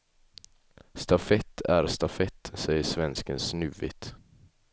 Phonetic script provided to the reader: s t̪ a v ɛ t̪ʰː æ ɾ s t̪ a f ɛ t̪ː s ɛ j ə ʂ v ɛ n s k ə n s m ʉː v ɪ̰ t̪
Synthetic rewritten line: s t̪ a f ɛ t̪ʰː æ ɾ s t̪ a f ɛ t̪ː s ɛ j ə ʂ v ɛ n s k ə n s n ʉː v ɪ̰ t̪